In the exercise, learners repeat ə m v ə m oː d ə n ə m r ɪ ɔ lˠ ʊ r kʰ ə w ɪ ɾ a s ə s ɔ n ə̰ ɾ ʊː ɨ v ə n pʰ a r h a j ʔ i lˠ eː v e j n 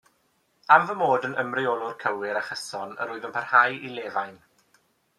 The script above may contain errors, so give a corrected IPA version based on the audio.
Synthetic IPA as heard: a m v ə m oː d ə n ə m r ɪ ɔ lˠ ʊ r kʰ ə w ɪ ɾ a χ ə s ɔ n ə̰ ɾ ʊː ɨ ð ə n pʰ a r h a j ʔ i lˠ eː v a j n